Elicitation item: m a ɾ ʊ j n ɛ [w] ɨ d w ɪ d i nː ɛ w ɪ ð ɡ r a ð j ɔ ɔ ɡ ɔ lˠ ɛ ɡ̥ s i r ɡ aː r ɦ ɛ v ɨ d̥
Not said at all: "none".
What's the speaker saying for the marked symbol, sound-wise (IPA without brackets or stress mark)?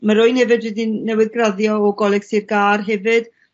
v